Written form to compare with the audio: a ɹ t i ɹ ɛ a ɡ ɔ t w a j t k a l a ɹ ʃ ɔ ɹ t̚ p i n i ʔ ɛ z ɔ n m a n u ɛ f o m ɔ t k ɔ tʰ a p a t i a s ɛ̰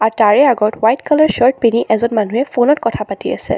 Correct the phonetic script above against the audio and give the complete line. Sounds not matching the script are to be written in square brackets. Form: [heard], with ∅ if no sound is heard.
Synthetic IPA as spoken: a ɹ t [a] ɹ ɛ a ɡ ɔ t w a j t k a l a ɹ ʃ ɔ ɹ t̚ p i n i ʔ ɛ z ɔ n m a n u ɛ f o [n] ɔ t k ɔ tʰ a p a t i a s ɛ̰